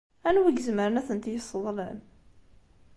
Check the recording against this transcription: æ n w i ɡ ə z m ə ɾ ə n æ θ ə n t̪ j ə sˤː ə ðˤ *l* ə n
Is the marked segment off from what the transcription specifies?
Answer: no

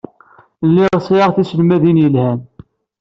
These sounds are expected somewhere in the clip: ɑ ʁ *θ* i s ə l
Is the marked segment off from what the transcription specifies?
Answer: no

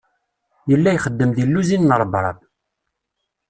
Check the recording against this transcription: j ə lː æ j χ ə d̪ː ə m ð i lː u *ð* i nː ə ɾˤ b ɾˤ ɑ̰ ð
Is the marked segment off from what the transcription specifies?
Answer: yes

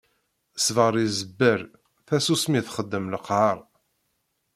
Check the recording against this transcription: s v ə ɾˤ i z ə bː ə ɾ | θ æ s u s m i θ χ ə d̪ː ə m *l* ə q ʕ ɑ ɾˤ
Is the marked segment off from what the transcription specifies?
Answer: no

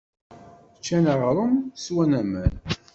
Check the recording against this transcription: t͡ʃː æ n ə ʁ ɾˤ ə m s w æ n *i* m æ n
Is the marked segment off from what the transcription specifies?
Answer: yes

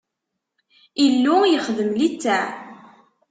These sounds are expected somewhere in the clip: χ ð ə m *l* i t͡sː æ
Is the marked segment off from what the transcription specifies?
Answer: no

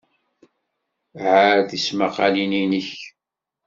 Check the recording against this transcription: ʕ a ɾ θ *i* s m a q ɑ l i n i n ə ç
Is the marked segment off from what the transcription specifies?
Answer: no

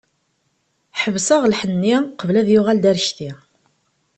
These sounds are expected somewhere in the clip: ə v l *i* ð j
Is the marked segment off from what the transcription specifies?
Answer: yes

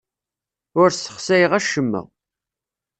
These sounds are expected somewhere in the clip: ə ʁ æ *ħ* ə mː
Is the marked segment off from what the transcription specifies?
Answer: yes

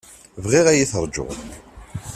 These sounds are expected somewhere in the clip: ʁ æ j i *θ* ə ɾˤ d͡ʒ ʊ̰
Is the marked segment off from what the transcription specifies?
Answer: no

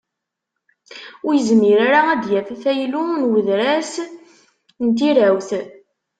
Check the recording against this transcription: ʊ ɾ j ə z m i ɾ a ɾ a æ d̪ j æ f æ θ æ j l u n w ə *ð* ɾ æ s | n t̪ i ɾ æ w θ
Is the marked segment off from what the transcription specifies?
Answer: no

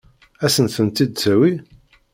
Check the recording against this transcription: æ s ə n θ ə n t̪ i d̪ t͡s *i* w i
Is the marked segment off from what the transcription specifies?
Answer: yes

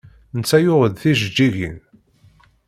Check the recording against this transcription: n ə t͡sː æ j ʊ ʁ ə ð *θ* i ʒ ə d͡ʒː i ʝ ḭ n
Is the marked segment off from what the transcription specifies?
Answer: no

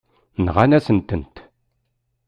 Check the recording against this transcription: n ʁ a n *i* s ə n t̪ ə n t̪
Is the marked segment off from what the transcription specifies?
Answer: yes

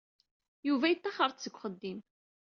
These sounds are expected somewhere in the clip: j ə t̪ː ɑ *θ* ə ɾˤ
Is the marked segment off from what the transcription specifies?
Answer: yes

